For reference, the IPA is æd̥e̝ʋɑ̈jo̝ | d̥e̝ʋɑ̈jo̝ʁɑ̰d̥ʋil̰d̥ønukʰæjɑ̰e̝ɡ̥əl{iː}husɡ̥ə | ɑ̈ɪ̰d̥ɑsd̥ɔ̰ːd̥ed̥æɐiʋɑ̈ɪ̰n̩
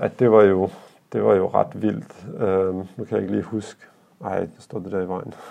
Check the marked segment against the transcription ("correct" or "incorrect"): correct